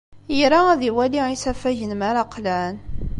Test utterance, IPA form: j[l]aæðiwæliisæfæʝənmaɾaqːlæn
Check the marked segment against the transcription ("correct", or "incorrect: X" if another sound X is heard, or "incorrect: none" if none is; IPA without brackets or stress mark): incorrect: ɾ